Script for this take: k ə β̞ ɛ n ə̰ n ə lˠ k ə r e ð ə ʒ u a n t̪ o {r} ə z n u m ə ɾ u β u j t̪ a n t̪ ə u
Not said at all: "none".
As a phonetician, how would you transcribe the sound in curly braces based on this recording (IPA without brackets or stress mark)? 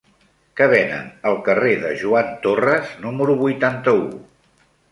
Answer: r